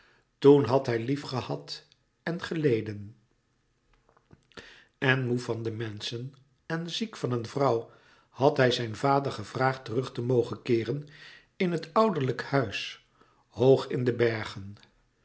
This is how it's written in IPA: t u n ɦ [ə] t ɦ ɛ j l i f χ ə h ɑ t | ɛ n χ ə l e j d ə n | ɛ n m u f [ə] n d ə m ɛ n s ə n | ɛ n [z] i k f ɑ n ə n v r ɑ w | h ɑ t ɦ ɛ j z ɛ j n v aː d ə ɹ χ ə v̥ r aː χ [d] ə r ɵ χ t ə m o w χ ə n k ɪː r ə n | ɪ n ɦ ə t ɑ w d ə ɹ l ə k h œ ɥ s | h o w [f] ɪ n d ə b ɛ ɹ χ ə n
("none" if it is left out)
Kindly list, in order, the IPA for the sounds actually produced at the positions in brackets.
ɑ, ɑ, z, t, χ

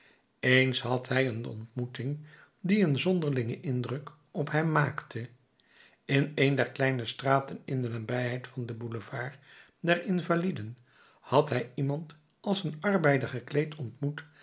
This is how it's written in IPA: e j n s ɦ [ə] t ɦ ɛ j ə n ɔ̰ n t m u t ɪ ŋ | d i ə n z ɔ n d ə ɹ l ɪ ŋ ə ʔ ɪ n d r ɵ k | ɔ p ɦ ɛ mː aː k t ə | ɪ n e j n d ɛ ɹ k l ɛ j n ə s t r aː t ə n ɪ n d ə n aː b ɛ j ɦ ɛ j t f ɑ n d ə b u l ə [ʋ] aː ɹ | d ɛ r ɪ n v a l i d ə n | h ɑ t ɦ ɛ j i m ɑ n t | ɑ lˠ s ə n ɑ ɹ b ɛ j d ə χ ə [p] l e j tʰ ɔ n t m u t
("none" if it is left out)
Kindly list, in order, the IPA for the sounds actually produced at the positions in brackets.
ɑ, v, k

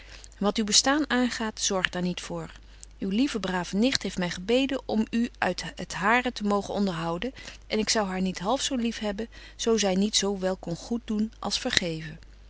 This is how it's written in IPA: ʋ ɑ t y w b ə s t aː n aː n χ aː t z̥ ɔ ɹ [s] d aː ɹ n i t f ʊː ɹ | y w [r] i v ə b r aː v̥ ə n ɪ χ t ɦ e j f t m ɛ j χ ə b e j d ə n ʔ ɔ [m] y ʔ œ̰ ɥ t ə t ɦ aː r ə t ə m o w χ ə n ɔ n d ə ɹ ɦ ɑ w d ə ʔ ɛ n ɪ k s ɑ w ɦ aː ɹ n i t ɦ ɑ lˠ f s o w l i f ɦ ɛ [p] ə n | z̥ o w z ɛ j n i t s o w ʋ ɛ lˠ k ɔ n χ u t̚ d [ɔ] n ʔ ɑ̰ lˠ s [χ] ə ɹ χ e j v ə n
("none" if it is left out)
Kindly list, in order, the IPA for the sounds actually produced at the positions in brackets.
χ, l, m, b, u, f

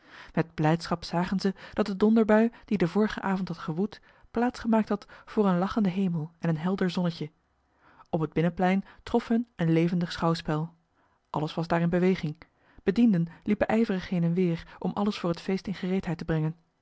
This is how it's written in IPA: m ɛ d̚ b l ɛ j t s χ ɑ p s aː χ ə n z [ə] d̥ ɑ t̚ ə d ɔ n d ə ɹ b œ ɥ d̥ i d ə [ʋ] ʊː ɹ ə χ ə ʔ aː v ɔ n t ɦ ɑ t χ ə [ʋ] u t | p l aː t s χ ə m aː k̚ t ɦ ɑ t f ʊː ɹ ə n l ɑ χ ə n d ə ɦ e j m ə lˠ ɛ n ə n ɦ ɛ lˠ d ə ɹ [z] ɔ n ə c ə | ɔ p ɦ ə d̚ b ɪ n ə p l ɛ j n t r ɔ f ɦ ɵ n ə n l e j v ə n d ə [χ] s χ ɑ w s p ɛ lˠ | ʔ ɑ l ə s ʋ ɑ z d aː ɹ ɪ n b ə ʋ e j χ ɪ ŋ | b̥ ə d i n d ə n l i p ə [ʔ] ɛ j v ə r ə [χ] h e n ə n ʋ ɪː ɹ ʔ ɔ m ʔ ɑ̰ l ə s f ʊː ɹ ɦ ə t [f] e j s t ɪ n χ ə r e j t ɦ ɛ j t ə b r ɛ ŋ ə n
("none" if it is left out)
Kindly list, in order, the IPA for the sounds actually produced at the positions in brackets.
ə, v, ʋ, z, χ, ʔ, χ, f

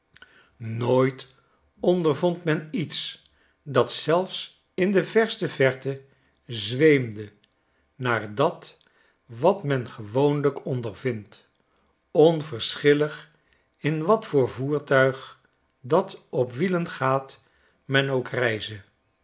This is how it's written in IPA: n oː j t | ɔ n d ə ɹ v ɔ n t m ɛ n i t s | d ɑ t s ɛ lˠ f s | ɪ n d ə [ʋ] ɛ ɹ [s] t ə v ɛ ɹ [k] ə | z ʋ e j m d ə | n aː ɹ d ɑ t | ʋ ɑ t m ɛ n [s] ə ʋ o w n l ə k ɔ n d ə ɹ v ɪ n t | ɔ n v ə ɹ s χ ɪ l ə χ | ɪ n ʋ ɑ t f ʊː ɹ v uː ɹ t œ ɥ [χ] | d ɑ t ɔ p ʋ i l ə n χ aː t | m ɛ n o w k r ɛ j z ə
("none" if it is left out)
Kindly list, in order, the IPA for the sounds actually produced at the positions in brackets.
v, s, t, χ, χ

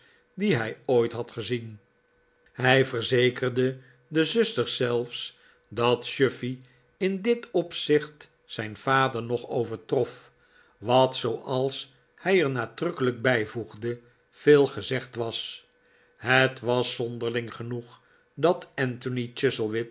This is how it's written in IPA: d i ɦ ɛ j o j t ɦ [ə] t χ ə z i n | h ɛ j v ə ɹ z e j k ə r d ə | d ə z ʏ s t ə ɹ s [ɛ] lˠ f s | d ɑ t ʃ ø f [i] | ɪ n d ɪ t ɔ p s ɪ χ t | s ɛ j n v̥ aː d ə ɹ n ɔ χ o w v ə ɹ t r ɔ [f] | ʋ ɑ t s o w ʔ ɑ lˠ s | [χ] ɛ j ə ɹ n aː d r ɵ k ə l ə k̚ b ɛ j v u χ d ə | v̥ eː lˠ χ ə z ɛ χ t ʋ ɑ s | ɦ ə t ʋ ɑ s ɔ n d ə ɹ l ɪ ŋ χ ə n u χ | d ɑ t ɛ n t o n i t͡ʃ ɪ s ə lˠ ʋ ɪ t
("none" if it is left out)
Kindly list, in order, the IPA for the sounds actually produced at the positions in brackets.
ɑ, ɛ, i, f, h

